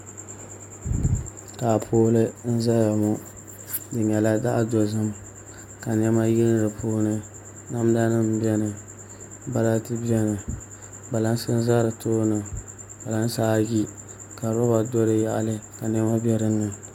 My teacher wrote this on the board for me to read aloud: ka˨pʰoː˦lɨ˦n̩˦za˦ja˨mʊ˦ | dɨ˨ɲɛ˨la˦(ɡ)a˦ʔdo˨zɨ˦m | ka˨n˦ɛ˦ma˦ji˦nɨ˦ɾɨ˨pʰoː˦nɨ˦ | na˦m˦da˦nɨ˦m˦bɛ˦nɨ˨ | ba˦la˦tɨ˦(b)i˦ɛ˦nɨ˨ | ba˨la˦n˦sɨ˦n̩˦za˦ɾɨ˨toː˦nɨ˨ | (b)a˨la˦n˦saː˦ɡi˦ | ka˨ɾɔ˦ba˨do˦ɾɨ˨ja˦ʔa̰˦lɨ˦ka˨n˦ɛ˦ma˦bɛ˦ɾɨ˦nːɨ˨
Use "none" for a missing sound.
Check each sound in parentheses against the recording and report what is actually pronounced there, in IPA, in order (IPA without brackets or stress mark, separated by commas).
d, b, b